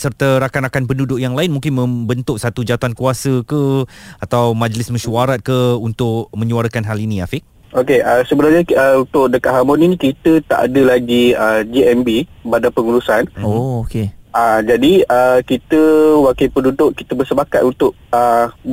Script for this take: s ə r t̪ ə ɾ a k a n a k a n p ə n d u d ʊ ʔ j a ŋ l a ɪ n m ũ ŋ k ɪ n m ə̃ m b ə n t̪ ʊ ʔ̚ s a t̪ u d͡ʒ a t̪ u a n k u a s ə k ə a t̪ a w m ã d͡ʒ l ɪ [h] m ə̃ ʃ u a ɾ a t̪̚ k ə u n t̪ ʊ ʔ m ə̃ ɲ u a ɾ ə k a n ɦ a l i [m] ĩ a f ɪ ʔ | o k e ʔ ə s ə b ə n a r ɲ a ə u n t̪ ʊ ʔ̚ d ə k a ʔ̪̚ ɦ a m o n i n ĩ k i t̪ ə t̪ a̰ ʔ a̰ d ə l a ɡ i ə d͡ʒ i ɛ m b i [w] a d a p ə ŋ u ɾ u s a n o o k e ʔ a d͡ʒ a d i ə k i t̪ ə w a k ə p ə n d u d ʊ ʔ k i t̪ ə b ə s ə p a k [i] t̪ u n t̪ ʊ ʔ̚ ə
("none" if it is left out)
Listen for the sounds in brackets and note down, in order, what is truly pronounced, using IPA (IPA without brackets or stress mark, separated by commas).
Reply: s, n, b, a